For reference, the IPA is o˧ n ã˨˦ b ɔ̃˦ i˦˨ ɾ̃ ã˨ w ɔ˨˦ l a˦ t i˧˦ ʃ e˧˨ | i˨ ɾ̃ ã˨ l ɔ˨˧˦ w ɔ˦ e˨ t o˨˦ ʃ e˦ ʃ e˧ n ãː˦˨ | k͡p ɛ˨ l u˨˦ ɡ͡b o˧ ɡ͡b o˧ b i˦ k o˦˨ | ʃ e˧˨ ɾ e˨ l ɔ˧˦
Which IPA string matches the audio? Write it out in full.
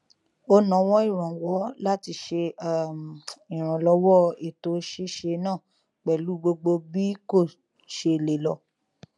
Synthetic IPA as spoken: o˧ n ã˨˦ w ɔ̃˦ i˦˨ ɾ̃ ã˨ w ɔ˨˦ l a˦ t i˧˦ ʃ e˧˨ | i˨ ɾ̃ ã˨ l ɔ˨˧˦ w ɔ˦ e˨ t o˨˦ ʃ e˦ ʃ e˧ n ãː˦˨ | k͡p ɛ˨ l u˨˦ ɡ͡b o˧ ɡ͡b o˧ b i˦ k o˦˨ | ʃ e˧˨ l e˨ l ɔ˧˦